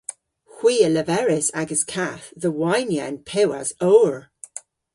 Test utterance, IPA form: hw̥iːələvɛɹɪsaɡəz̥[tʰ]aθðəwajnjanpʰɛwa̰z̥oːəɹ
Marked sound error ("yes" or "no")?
yes